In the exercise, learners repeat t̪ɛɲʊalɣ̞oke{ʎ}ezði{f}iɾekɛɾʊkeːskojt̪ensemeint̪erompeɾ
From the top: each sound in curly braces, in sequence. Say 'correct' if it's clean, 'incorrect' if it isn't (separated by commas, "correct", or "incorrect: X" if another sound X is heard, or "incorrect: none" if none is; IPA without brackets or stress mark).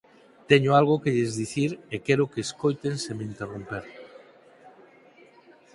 correct, incorrect: θ